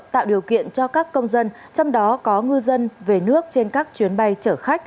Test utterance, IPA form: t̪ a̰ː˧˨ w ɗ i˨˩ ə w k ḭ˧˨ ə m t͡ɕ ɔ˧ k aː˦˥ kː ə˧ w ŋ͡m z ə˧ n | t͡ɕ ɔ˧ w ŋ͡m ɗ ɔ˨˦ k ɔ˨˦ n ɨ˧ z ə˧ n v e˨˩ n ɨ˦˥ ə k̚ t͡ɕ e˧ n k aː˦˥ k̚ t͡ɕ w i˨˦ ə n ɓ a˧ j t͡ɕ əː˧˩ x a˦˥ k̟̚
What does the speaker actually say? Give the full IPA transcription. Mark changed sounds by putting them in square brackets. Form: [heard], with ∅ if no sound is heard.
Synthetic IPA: t̪ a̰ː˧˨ w ɗ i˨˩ ə w k ḭ˧˨ ə [n] t͡ɕ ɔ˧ k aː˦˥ kː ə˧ w ŋ͡m z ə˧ n | t͡ɕ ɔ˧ w ŋ͡m ɗ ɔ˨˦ k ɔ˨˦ [ŋ] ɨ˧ z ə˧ n v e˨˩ n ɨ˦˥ ə k̚ t͡ɕ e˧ n k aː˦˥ k̚ t͡ɕ w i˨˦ ə n ɓ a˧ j t͡ɕ əː˧˩ x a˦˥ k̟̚